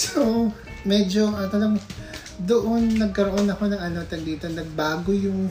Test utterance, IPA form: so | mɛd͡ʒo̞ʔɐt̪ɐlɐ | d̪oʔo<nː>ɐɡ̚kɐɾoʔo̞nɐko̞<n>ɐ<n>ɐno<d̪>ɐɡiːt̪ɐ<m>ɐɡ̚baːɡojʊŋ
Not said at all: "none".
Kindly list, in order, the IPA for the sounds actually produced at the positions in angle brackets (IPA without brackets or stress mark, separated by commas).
nː, n, ŋ, t̪, n